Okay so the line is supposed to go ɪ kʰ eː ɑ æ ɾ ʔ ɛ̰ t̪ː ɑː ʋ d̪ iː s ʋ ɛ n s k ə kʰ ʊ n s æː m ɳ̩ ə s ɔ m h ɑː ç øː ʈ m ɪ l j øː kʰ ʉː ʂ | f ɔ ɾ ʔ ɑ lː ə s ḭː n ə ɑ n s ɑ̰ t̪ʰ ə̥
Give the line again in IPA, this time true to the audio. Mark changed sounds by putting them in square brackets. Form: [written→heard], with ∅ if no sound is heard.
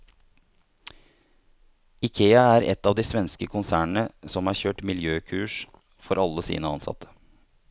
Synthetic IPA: ɪ kʰ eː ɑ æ ɾ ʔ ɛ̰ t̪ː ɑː ʋ d̪ iː s ʋ ɛ n s k ə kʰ ʊ n s æː [m→ɳ] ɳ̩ ə s ɔ m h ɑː ç øː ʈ m ɪ l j øː kʰ ʉː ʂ | f ɔ ɾ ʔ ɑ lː ə s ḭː n ə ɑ n s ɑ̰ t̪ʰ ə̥